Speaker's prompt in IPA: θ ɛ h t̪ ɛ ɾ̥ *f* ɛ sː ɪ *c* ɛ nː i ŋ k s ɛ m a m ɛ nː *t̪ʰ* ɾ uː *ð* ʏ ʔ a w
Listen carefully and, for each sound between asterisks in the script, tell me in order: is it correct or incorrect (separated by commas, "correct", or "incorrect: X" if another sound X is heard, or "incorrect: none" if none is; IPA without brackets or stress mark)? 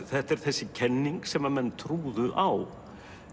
incorrect: θ, incorrect: cʰ, correct, correct